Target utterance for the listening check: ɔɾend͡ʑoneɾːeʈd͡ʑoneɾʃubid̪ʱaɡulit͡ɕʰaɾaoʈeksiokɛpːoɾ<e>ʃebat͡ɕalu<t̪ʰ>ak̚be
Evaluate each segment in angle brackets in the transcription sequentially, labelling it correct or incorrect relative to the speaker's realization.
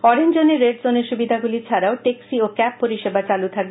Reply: incorrect: i, correct

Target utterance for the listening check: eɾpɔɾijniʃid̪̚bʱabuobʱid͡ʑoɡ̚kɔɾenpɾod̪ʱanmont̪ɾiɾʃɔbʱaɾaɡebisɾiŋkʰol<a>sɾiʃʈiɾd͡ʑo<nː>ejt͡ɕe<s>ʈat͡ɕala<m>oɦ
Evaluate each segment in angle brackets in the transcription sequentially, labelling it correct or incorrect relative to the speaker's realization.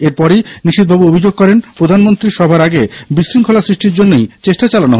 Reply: correct, correct, incorrect: ʃ, incorrect: n

